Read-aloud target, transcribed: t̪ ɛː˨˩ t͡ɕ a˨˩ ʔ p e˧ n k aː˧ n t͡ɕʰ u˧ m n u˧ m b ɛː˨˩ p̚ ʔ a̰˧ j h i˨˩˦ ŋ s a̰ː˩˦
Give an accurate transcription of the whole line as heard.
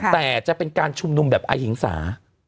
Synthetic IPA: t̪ ɛː˨˩ t͡ɕ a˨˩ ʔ p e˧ n k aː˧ n t͡ɕʰ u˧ m n u˧ m b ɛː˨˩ p̚ ʔ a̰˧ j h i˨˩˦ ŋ s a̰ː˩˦